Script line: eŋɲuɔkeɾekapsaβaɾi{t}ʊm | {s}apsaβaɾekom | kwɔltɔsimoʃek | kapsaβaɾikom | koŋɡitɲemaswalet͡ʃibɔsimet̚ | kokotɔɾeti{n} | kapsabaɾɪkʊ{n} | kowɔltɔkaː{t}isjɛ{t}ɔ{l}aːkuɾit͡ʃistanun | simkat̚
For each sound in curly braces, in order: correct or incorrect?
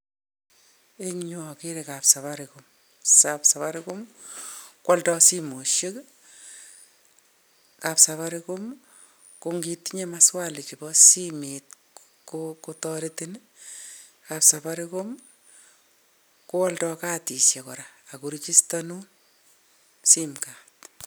incorrect: k, correct, correct, incorrect: m, correct, incorrect: k, incorrect: ɾ

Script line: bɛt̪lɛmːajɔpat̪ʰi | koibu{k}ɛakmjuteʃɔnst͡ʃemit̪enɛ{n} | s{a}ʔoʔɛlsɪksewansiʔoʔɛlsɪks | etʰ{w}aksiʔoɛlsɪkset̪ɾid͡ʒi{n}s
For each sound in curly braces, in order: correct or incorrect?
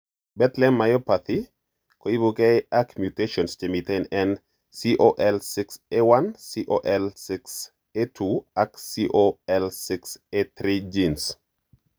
correct, correct, incorrect: i, incorrect: u, correct

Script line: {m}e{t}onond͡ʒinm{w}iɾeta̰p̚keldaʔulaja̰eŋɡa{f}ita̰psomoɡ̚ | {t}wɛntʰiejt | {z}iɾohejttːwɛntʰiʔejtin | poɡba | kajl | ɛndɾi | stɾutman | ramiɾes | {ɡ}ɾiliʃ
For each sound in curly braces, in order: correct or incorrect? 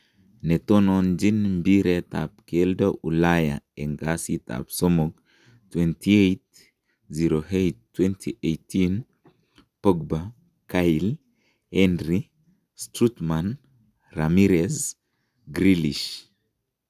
incorrect: n, correct, incorrect: b, incorrect: s, correct, correct, correct

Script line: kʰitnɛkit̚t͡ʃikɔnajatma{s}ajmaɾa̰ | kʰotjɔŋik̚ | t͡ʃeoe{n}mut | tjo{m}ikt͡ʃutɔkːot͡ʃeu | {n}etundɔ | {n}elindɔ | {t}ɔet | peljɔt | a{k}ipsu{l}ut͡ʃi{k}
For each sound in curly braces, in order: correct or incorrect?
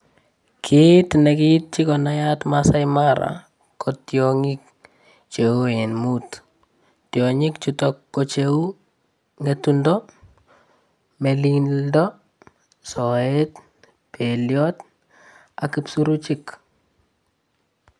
correct, correct, incorrect: ɲ, incorrect: ŋ, incorrect: m, incorrect: s, correct, incorrect: ɾ, correct

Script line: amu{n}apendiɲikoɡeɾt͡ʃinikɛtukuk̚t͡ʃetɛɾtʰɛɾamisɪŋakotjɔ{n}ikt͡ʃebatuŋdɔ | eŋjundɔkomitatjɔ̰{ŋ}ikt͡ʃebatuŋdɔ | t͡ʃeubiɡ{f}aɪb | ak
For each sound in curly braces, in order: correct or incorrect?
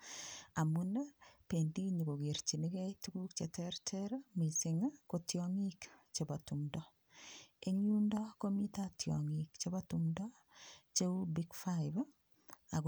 correct, incorrect: ŋ, correct, correct

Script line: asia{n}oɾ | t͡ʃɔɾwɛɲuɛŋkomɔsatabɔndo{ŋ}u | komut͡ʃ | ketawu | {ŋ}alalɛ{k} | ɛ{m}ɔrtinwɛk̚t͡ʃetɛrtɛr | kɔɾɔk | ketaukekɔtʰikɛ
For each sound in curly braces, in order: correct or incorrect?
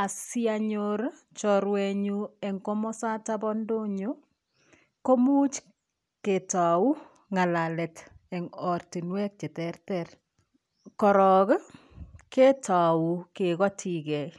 incorrect: ɲ, incorrect: ɲ, correct, incorrect: t, incorrect: ŋ

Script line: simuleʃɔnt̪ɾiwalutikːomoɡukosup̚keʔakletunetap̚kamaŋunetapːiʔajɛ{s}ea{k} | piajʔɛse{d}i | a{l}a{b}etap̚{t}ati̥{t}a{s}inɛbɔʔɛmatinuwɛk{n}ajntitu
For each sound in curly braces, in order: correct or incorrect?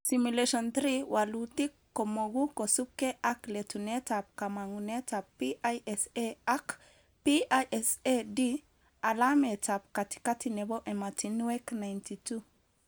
correct, correct, correct, correct, incorrect: m, incorrect: k, incorrect: k, incorrect: t, correct

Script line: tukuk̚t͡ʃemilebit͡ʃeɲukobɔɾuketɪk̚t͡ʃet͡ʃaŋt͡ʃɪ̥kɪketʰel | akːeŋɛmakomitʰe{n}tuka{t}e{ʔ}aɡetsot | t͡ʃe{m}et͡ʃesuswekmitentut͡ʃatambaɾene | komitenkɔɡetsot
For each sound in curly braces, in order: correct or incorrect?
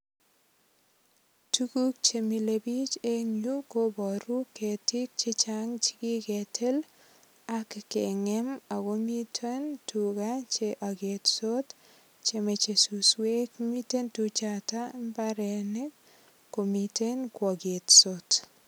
correct, incorrect: t͡ʃ, correct, correct

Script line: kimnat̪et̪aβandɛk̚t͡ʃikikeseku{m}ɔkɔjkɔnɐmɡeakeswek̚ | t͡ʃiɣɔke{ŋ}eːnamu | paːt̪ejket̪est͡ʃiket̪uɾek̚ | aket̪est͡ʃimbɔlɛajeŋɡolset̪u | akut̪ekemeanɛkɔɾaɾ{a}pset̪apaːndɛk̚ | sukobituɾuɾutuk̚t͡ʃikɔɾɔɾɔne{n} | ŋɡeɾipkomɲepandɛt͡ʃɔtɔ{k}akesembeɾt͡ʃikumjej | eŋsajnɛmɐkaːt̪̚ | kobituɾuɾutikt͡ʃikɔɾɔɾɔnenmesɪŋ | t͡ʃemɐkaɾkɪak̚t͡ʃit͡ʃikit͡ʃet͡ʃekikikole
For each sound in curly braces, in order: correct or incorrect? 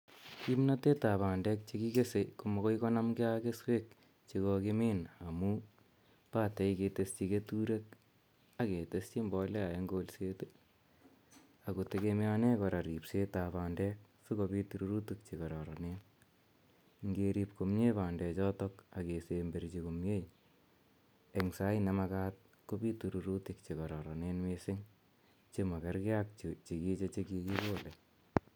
correct, incorrect: m, incorrect: i, correct, correct

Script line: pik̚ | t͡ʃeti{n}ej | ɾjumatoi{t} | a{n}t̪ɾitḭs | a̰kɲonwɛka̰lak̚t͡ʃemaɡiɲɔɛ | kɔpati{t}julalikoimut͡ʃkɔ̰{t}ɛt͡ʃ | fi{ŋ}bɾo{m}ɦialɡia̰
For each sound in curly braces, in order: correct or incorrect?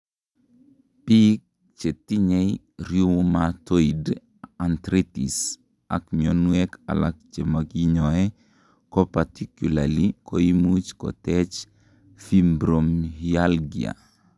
incorrect: ɲ, incorrect: d, correct, incorrect: k, correct, incorrect: m, correct

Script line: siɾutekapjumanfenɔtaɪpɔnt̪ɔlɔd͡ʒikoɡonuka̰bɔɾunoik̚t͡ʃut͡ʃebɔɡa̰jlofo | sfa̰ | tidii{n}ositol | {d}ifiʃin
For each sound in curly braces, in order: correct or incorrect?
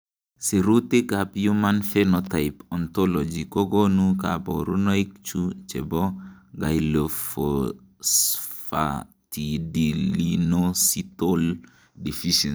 correct, correct

